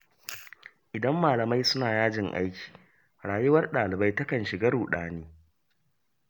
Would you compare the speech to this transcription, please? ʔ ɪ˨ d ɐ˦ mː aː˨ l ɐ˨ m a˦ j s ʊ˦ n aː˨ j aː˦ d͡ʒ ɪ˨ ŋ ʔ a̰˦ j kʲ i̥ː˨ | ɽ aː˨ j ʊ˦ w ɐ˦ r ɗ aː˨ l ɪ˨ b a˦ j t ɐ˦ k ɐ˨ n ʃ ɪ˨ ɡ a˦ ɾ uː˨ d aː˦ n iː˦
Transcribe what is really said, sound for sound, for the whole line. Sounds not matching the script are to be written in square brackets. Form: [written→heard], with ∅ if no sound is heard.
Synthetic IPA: ʔ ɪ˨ d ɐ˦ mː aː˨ l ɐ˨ m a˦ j s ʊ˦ n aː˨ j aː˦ d͡ʒ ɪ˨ ŋ ʔ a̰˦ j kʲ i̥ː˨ | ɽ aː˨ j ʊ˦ w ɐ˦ r ɗ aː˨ l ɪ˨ b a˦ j t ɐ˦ k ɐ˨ n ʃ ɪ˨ ɡ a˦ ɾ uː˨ [d→ɗ] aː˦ n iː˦